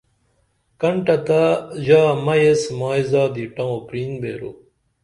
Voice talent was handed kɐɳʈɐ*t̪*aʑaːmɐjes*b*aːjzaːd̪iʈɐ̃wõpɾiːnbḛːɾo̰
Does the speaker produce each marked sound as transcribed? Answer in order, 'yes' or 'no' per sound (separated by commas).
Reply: yes, no